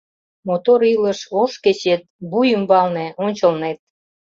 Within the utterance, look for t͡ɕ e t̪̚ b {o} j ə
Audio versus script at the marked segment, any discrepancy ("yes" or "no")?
yes